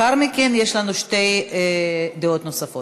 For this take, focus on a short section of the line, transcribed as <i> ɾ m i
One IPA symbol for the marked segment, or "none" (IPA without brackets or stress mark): a